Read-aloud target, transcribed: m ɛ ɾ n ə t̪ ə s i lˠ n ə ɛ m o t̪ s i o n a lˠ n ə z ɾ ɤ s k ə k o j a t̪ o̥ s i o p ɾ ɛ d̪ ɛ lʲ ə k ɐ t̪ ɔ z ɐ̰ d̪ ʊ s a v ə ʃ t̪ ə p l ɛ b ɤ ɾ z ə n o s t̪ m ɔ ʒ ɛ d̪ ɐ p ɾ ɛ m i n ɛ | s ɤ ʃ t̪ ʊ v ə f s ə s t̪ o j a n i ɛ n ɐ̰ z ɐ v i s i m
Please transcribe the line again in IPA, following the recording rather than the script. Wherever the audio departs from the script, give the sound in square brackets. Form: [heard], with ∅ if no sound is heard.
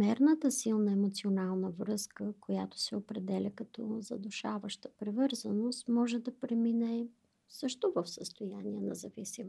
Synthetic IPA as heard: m ɛ ɾ n ə t̪ ə s i lˠ n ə ɛ m o t̪ s i o n a lˠ n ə [v] ɾ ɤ s k ə k o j a t̪ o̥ s [ɛ] o p ɾ ɛ d̪ ɛ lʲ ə k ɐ t̪ ɔ z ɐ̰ d̪ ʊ [ʃ] a v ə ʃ t̪ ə p [ɾ] ɛ [v] ɤ ɾ z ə n o s t̪ m ɔ ʒ ɛ d̪ ɐ p ɾ ɛ m i n ɛ | s ɤ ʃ t̪ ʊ v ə f s ə s t̪ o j a n i ɛ n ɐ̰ z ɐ v i s i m